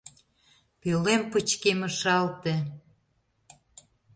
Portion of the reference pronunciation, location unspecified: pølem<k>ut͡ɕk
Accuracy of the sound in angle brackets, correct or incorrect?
incorrect